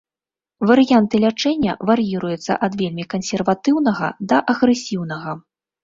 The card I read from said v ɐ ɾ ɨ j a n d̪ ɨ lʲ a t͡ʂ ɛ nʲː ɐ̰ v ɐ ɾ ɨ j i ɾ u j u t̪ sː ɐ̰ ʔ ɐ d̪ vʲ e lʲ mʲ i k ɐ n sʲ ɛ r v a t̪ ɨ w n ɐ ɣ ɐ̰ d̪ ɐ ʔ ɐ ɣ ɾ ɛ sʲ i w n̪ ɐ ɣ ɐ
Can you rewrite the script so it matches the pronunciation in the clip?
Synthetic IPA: v ɐ ɾ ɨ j a n t̪ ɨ lʲ a t͡ʂ ɛ nʲː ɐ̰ v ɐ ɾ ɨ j i ɾ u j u t̪ sː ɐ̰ ʔ ɐ d̪ vʲ e lʲ mʲ i k ɐ n sʲ ɛ r v a t̪ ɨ w n ɐ ɣ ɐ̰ d̪ ɐ ʔ ɐ ɣ ɾ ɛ sʲ i w n̪ ɐ ɣ ɐ

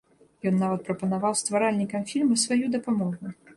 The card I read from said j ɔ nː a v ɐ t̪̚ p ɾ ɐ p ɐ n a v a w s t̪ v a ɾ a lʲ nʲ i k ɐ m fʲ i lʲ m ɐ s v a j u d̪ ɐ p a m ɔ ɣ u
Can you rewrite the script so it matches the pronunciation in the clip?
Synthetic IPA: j ɔ nː a v ɐ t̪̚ p ɾ ɐ p ɐ n a v a w s t̪ v a ɾ a lʲ nʲ i k ɐ m fʲ i lʲ m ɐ s v a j u d̪ ɐ p a m ɔ ɣ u

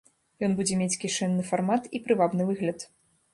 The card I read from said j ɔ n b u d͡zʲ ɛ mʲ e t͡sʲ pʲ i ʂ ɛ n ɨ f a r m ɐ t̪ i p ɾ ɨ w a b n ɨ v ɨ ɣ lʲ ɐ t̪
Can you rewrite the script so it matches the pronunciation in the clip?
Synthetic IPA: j ɔ n b u d͡zʲ ɛ mʲ e t͡sʲ kʲ i ʂ ɛ nː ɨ f a r m a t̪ i p ɾ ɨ v a b n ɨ v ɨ ɣ lʲ ɐ t̪

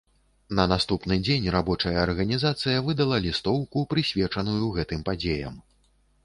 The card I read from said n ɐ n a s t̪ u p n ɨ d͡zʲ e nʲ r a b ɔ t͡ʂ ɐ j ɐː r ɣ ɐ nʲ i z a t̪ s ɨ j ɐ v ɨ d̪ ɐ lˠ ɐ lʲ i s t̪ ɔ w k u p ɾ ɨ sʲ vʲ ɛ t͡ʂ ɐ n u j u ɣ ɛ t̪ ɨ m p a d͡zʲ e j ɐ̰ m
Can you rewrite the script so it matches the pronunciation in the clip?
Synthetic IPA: n ɐ n a s t̪ u p n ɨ d͡zʲ e nʲ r a b ɔ t͡ʂ ɐ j ɐː r ɣ ɐ nʲ i z a t̪ s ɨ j ɐ v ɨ d̪ ɐ lˠ ɐ lʲ i s t̪ ɔ w k u p ɾ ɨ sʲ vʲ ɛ t͡ʂ ɐ n u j u ɣ ɛ t̪ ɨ m p a d͡zʲ e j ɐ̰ m

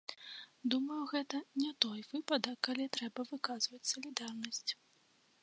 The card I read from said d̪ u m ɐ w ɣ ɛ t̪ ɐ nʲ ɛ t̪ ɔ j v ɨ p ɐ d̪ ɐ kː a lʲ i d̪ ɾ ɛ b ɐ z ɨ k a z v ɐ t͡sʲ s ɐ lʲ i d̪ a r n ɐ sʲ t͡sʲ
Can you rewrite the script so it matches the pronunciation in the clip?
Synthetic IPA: d̪ u m ɐ w ɣ ɛ t̪ ɐ nʲ ɛ t̪ ɔ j v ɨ p ɐ d̪ ɐ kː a lʲ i t̪ ɾ ɛ b ɐ v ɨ k a z v ɐ t͡sʲ s ɐ lʲ i d̪ a r n ɐ sʲ t͡sʲ

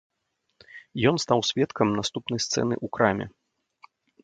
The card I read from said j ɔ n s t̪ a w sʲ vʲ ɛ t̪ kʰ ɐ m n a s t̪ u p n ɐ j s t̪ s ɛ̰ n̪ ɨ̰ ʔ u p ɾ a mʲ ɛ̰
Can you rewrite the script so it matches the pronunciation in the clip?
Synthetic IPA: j ɔ n s t̪ a w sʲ vʲ ɛ t̪ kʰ ɐ m n a s t̪ u p n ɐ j s t̪ s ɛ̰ n̪ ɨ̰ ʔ u k ɾ a mʲ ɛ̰

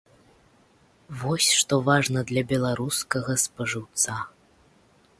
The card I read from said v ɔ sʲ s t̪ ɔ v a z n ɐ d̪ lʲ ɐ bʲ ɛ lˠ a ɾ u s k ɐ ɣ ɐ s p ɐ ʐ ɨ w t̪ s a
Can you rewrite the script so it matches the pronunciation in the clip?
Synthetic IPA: v ɔ sʲ ʂ t̪ ɔ v a ʐ n ɐ d̪ lʲ ɐ bʲ ɛ lˠ a ɾ u s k ɐ ɣ ɐ s p ɐ ʐ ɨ w t̪ s a

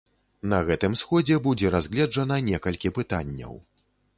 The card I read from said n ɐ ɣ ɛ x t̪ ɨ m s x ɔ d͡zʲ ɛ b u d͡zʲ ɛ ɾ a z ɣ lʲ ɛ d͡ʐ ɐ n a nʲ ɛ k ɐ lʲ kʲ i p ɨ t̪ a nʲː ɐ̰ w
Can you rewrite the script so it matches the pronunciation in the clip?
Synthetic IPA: n ɐ ɣ ɛ t̪ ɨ m s x ɔ d͡zʲ ɛ b u d͡zʲ ɛ ɾ a z ɣ lʲ ɛ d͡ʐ ɐ n ɐ nʲ ɛ k ɐ lʲ kʲ i p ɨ t̪ a nʲː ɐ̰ w

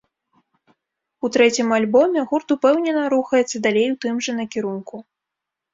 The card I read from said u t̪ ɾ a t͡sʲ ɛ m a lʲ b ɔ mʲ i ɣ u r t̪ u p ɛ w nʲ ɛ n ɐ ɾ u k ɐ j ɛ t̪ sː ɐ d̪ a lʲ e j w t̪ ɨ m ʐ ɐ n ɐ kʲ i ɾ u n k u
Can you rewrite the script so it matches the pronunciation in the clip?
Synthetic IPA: u t̪ ɾ ɛ t͡sʲ i m a lʲ b ɔ mʲ ɛ ɣ u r t̪ u p ɛ w nʲ ɛ n ɐ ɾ u x ɐ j ɛ t̪ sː ɐ d̪ a lʲ e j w t̪ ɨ m ʐ ɐ n ɐ kʲ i ɾ u n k u

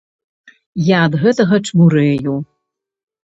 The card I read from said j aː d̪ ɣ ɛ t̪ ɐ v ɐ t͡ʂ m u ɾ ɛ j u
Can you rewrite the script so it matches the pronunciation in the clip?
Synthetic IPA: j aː d̪ ɣ ɛ t̪ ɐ ɣ ɐ t͡ʂ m u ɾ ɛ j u

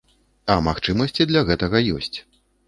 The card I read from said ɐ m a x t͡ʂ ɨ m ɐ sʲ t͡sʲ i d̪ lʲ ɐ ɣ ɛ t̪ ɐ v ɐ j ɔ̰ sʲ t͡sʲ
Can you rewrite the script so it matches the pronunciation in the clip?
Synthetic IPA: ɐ m a x t͡ʂ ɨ m ɐ sʲ t͡sʲ i d̪ lʲ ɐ ɣ ɛ t̪ ɐ ɣ ɐ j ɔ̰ sʲ t͡sʲ

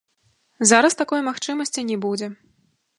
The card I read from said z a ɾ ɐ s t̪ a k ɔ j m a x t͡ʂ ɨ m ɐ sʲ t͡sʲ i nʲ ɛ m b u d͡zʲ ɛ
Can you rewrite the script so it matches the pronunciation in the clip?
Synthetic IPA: z a ɾ ɐ s t̪ a k ɔ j m a x t͡ʂ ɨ m ɐ sʲ t͡sʲ i nʲ ɛ b u d͡zʲ ɛ

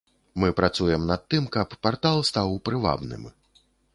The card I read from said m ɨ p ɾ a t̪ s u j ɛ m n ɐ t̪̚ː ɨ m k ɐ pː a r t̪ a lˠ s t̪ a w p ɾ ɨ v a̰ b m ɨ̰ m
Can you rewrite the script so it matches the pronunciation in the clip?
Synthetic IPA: m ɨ p ɾ a t̪ s u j ɛ m n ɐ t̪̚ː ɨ m k ɐ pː a r t̪ a lˠ s t̪ a w p ɾ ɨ v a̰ b n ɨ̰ m

